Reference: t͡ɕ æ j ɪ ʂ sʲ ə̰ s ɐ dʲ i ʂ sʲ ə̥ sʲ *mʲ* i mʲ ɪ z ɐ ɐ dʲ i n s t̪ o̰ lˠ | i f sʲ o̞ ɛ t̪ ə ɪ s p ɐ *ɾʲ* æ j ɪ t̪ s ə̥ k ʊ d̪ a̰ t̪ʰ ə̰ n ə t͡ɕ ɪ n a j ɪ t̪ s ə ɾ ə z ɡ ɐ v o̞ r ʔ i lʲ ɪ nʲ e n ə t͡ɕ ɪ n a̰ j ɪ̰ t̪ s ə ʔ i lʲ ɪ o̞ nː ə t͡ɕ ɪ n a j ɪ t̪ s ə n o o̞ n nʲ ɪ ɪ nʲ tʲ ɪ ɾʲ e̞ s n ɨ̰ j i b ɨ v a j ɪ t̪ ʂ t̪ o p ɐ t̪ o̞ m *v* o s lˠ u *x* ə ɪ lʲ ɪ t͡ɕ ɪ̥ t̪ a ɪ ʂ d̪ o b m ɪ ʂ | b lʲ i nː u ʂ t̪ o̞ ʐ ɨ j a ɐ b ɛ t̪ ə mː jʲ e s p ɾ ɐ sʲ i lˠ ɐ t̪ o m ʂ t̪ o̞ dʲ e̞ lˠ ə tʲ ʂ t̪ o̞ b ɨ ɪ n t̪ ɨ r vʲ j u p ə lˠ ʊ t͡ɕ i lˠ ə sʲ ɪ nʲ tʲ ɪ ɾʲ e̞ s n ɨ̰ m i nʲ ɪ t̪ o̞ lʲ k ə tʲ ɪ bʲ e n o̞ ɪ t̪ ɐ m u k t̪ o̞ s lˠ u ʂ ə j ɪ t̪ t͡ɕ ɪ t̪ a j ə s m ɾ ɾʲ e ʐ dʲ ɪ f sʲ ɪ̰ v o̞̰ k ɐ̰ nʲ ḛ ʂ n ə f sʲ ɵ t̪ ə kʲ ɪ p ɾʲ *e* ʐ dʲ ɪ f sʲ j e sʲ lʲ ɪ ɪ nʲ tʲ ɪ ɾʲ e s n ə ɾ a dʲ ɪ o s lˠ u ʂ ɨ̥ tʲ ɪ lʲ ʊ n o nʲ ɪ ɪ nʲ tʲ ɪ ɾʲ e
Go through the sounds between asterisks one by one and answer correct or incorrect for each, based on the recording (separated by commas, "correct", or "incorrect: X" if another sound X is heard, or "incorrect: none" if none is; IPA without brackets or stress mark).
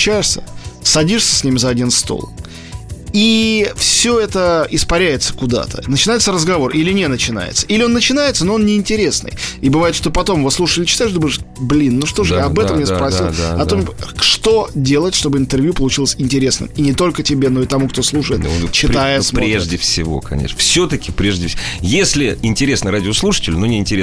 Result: incorrect: nʲ, correct, correct, incorrect: ʂ, correct